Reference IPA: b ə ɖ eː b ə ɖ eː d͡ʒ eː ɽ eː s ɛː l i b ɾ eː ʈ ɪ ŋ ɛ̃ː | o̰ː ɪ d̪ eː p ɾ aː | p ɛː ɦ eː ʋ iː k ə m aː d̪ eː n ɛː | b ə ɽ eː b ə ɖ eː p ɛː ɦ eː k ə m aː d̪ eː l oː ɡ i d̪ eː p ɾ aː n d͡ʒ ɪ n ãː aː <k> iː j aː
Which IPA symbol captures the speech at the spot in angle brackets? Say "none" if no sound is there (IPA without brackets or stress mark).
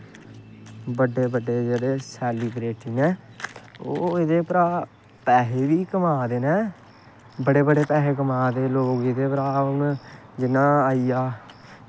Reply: none